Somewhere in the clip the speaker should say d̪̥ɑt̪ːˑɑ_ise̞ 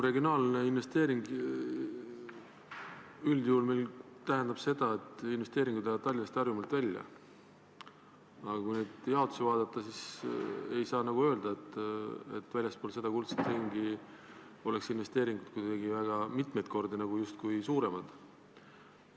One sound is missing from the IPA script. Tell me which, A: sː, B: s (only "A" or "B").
B